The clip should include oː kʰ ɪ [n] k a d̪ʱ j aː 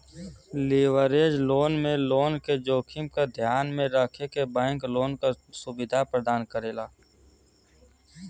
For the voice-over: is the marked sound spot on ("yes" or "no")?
no